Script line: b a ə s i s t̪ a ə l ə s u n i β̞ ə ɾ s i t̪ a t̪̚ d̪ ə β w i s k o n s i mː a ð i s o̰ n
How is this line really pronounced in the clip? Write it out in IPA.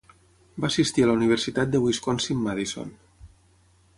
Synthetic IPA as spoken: b a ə s i s t̪ i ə l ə u n i β̞ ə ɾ s i t̪ a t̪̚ d̪ ə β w i s k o n s i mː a ð i s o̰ n